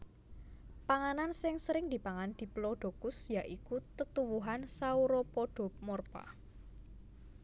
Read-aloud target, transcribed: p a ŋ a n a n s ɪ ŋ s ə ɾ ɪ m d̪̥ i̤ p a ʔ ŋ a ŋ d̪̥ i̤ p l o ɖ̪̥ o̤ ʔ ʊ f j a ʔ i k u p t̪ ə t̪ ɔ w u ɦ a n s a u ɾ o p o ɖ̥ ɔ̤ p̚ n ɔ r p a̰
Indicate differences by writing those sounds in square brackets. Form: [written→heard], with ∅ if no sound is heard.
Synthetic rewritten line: p a ŋ a n a n s ɪ ŋ s ə ɾ ɪ [m→ŋ] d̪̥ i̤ p a [ʔ→∅] ŋ a [ŋ→n] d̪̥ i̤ p l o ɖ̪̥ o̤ [ʔ→k] ʊ [f→s] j a ʔ i k u [p→∅] t̪ ə t̪ [ɔ→u] w u ɦ a n s a u ɾ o p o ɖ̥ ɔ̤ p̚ [n→m] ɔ r p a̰